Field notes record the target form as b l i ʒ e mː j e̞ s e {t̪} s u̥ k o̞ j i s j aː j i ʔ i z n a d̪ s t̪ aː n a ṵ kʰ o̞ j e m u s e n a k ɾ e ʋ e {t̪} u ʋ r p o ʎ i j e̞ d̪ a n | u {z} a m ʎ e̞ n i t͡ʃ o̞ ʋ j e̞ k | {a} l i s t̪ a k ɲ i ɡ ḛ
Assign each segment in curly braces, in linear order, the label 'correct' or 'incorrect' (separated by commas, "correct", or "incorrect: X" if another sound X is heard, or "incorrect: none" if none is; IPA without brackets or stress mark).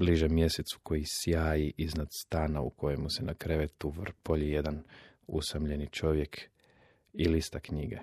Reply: correct, correct, incorrect: s, incorrect: i